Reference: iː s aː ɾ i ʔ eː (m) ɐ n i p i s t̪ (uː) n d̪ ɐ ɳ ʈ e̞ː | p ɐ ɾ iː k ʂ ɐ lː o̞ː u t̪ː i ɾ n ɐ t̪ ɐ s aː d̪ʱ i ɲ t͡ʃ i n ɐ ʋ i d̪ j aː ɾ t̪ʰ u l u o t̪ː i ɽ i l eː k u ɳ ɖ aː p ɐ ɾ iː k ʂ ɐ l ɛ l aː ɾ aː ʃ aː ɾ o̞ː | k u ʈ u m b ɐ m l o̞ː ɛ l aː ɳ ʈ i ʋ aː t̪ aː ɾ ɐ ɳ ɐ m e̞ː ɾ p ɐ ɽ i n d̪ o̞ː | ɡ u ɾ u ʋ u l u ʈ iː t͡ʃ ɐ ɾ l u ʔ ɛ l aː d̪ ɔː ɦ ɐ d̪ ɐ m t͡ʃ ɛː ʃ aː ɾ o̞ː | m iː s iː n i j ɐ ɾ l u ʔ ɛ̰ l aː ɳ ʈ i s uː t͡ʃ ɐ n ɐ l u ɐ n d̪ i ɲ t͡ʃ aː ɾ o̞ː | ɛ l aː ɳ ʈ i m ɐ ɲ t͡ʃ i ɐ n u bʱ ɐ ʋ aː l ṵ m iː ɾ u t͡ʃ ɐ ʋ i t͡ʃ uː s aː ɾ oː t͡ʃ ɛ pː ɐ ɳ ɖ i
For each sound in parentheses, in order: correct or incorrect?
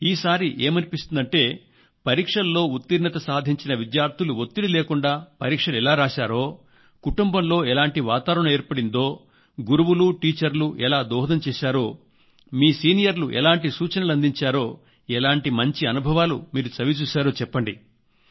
correct, incorrect

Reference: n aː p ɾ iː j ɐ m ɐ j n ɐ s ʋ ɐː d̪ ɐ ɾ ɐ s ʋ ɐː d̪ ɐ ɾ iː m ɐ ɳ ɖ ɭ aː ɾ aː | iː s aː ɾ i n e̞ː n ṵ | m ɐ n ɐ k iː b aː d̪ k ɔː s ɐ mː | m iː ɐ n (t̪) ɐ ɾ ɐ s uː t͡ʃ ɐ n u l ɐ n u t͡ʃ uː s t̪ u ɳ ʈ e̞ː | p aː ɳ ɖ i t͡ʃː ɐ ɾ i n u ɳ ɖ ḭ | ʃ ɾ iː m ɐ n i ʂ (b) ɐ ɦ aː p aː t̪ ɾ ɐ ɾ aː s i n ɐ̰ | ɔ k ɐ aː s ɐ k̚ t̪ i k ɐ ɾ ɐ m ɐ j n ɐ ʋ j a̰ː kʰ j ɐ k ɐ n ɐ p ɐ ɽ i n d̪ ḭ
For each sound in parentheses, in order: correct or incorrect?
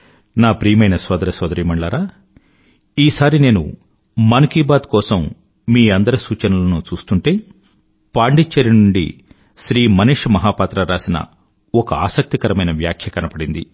incorrect, incorrect

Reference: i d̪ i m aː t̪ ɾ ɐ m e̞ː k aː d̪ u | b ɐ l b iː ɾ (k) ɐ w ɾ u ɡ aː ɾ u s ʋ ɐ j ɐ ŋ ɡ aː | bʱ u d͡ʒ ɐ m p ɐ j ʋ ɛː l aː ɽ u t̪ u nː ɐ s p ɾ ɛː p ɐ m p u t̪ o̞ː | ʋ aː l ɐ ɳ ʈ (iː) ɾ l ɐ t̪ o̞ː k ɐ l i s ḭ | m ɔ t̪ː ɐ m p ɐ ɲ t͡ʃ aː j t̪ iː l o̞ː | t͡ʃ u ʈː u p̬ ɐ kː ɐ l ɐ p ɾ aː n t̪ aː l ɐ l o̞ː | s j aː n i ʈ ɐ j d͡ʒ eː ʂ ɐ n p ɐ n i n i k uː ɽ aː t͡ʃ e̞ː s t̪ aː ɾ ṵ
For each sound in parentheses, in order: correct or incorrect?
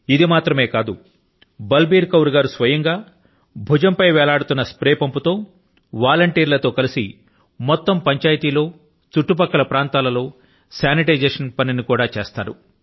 correct, correct

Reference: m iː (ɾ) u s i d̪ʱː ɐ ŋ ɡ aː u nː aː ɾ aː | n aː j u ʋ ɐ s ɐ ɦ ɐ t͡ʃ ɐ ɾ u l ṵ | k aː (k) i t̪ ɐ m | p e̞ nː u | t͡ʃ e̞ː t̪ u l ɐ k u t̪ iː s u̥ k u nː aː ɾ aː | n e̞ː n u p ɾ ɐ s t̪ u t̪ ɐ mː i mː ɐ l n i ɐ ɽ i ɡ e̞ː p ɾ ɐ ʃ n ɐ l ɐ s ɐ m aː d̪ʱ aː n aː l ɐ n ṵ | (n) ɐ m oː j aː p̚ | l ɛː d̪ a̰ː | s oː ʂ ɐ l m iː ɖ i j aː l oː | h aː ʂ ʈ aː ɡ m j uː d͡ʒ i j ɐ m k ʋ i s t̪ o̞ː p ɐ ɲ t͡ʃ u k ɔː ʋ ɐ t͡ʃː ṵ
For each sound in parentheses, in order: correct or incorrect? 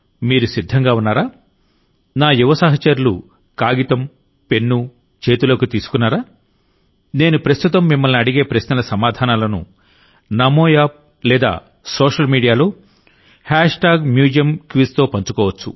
correct, incorrect, correct

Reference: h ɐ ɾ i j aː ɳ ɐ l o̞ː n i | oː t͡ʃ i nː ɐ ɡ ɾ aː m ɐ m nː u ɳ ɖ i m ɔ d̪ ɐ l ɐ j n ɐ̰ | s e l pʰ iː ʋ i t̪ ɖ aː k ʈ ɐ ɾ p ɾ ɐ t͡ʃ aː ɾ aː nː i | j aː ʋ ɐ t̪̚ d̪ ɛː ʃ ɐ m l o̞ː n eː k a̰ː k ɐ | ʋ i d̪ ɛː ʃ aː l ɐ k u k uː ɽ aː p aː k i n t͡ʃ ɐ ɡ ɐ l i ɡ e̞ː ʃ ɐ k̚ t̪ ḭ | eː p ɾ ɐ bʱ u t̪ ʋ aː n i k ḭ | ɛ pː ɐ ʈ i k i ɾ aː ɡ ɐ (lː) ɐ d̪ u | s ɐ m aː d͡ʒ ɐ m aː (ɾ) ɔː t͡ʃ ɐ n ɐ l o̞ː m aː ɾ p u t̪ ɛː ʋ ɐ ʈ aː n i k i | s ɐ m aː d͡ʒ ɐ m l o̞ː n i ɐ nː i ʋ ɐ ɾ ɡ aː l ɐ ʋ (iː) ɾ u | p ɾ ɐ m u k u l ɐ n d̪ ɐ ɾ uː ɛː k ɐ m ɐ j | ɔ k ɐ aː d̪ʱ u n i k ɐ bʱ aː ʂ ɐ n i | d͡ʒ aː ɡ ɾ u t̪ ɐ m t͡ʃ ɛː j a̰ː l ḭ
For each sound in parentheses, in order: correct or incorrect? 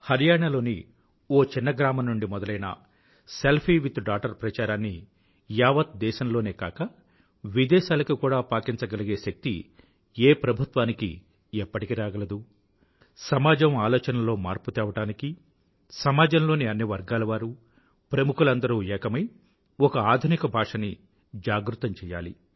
incorrect, incorrect, incorrect

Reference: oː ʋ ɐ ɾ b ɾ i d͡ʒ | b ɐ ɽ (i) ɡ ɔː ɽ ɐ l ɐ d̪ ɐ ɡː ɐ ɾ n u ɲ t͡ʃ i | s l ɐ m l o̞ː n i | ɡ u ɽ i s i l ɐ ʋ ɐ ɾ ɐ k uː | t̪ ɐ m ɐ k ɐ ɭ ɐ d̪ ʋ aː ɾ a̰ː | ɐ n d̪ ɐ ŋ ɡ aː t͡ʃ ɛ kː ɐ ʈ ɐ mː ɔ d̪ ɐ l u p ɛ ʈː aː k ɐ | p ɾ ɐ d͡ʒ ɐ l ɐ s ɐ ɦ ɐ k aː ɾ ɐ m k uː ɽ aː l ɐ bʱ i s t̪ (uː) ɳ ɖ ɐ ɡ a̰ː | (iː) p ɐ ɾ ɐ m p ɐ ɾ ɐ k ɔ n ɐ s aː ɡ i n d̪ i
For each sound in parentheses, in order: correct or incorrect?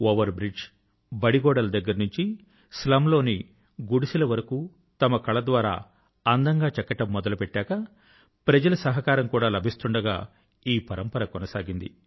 correct, incorrect, correct

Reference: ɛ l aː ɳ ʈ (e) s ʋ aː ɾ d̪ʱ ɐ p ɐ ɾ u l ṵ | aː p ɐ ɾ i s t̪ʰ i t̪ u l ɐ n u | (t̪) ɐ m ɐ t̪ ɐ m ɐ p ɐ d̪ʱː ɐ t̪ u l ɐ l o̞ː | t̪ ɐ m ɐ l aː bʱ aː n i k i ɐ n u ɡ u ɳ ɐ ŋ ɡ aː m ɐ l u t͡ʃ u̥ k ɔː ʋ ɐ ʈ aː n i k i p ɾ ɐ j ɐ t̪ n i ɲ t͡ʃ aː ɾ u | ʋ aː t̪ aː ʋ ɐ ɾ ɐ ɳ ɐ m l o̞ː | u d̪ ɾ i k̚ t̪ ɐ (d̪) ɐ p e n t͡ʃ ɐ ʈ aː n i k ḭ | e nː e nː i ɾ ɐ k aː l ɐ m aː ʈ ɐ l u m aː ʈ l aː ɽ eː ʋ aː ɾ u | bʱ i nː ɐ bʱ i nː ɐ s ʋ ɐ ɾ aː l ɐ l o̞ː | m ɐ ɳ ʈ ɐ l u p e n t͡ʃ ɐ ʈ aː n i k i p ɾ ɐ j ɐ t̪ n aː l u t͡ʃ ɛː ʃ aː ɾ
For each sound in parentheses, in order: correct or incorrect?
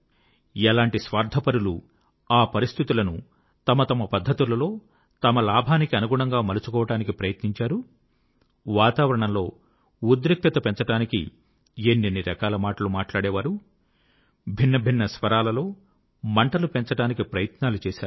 incorrect, correct, incorrect

